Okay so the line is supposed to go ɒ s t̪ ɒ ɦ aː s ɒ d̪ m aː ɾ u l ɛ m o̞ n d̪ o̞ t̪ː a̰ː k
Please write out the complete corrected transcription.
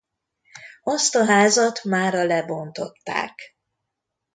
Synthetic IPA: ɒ s t̪ ɒ ɦ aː z ɒ t̪ m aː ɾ ɒ l ɛ b o̞ n t̪ o̞ t̪ː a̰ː k